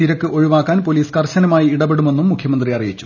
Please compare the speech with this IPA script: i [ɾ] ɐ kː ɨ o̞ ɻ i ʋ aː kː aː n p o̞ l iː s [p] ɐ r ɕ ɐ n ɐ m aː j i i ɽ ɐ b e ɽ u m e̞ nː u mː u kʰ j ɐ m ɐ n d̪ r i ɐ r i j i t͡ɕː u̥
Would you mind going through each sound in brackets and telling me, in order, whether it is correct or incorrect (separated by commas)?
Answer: correct, incorrect